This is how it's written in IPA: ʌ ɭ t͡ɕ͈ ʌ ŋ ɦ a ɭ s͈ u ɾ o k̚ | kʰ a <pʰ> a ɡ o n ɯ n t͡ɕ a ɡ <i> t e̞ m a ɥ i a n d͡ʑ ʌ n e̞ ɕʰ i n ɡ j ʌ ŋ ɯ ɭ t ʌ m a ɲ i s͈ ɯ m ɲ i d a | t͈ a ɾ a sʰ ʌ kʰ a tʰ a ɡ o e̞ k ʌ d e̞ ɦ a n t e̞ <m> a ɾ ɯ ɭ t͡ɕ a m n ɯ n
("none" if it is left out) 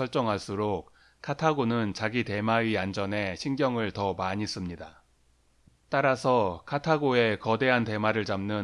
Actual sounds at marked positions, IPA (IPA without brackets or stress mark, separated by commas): tʰ, i, m